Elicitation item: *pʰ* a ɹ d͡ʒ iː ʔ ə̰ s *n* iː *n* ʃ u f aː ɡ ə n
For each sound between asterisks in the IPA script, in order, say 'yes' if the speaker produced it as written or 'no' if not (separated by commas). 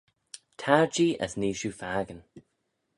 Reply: no, yes, no